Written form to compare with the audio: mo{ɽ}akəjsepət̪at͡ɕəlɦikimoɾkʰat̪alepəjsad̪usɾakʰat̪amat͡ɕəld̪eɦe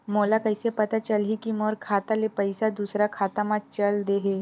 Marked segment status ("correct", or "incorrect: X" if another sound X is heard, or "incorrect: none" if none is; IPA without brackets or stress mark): incorrect: l